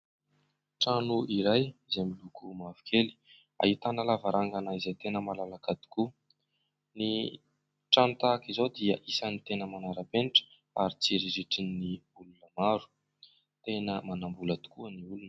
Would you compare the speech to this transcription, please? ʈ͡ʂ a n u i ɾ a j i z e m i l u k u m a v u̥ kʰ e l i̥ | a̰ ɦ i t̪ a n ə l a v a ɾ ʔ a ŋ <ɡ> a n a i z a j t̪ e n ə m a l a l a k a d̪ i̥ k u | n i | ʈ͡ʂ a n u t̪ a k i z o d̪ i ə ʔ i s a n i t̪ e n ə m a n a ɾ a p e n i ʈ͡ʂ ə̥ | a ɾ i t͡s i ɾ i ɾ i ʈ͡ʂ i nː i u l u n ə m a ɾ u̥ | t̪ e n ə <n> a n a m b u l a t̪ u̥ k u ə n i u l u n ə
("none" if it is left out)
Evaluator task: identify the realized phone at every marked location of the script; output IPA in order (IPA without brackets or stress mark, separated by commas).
ɡ, m